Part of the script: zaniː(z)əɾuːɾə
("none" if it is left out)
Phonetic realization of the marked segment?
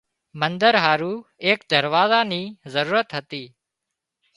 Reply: z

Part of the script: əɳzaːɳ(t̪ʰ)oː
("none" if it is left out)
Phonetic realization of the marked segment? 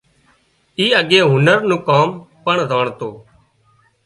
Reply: t̪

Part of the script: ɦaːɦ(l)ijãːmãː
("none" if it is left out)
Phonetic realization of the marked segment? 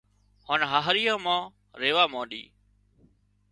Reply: ɾ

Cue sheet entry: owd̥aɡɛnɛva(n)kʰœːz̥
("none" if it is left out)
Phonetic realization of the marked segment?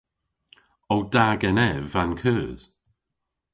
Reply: n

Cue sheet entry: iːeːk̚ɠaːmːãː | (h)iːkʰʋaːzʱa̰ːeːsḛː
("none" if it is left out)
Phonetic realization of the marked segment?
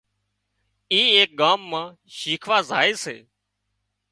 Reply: ʃ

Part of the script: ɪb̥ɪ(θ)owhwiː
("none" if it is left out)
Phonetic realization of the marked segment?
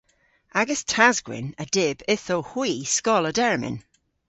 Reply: θ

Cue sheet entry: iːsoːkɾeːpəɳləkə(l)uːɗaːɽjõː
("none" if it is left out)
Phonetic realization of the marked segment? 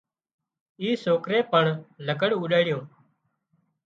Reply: ɽ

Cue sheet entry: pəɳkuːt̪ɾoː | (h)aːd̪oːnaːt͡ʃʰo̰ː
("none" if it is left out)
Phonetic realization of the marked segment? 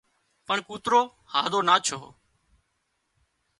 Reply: h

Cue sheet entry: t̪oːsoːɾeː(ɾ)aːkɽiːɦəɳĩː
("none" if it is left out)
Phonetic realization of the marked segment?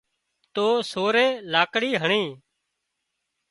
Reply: l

